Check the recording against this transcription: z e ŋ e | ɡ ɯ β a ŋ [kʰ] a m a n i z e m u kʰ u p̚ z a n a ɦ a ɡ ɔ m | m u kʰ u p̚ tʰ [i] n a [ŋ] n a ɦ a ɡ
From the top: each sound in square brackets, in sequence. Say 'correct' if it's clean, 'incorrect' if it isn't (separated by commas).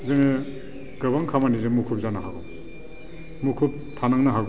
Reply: correct, incorrect, correct